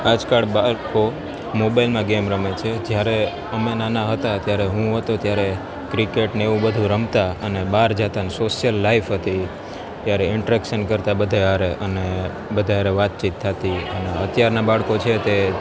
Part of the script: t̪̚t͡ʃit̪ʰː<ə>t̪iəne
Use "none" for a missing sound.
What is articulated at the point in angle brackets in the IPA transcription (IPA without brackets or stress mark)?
a